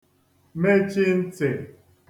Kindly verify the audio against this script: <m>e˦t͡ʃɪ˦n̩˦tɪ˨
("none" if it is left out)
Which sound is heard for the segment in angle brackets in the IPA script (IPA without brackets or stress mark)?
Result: m